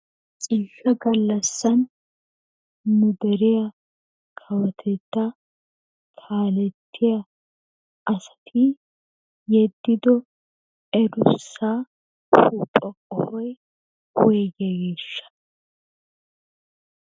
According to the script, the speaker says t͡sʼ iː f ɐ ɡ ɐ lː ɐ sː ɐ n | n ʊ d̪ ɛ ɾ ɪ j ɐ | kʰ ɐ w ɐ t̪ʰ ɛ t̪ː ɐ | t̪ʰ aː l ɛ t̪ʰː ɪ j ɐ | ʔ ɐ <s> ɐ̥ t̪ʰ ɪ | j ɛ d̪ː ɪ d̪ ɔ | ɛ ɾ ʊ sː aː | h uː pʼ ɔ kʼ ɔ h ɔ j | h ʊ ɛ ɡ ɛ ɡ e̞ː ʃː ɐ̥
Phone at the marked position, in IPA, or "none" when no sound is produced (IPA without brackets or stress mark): s